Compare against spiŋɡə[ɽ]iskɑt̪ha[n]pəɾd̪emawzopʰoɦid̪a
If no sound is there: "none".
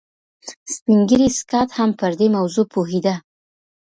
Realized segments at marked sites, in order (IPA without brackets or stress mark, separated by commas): ɾ, m